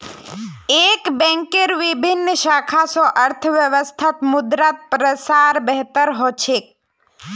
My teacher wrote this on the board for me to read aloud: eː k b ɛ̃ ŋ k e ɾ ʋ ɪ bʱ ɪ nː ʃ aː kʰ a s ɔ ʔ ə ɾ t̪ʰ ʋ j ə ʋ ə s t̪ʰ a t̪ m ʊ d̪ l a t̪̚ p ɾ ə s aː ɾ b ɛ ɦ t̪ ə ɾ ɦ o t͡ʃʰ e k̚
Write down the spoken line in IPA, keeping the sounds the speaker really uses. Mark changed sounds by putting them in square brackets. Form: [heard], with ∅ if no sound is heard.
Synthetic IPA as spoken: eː k b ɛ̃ ŋ k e ɾ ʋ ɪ bʱ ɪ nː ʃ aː kʰ a s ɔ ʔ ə ɾ t̪ʰ ʋ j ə ʋ ə s t̪ʰ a t̪ m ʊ d̪ [ɾ] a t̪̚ p ɾ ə s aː ɾ b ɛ ɦ t̪ ə ɾ ɦ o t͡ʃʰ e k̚